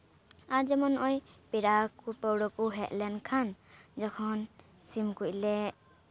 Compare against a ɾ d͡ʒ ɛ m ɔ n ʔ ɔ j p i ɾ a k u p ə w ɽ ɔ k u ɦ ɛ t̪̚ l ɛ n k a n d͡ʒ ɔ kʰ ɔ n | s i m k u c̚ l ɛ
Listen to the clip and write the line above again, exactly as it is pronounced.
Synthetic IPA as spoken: a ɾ d͡ʒ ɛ m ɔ n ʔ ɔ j p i ɾ a k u p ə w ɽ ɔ k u ɦ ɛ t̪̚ l ɛ n kʰ a n d͡ʒ ɔ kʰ ɔ n | s i m k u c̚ l ɛ